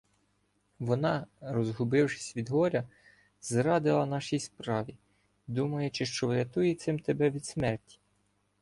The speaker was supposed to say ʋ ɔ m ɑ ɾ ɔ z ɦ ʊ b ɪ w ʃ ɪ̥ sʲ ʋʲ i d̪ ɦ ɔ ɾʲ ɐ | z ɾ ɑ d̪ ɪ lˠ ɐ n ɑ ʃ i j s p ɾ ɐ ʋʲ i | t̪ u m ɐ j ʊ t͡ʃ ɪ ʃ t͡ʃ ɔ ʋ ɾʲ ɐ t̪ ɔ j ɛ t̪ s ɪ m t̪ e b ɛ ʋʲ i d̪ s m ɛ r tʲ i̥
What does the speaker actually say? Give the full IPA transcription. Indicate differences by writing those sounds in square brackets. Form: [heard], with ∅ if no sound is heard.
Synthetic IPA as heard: ʋ ɔ [n] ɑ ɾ ɔ z ɦ ʊ b ɪ w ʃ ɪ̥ sʲ ʋʲ i d̪ ɦ ɔ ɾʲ ɐ | z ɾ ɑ d̪ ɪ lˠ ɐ n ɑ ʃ i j s p ɾ [ɑ] ʋʲ i | [d̪] u m ɐ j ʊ t͡ʃ ɪ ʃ t͡ʃ ɔ ʋ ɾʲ ɐ t̪ [u] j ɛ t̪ s ɪ m t̪ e b ɛ ʋʲ i d̪ s m ɛ r tʲ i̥